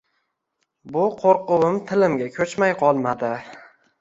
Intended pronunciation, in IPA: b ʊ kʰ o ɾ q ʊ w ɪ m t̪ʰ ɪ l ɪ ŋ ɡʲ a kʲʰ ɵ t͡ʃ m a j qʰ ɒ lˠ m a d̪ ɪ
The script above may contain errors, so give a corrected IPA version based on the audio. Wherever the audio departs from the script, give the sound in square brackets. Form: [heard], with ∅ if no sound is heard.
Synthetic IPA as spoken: b ʊ [qʰ] o ɾ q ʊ w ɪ m t̪ʰ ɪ l ɪ [m] ɡʲ a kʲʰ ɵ t͡ʃ m a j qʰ ɒ lˠ m a d̪ ɪ